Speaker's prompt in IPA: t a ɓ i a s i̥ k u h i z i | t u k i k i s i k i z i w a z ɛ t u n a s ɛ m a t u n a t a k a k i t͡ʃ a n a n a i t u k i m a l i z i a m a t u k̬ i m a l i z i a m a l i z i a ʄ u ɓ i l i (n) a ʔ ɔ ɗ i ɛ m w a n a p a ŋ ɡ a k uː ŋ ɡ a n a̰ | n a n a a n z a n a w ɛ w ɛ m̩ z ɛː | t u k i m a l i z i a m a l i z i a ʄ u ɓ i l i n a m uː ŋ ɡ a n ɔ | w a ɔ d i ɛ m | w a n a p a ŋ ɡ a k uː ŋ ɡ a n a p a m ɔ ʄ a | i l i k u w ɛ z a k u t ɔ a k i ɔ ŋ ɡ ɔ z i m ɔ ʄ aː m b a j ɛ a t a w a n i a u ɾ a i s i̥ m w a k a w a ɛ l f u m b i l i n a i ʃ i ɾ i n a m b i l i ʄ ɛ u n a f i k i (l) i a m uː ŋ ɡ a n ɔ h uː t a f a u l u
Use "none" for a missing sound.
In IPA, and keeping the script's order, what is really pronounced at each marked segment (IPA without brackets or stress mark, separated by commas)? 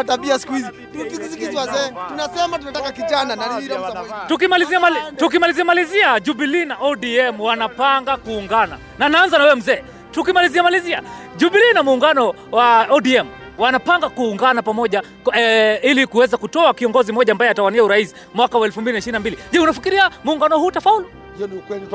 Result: n, ɾ